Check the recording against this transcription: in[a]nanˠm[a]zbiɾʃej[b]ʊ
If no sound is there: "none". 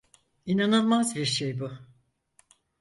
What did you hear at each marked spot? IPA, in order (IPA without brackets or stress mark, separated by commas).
a, a, b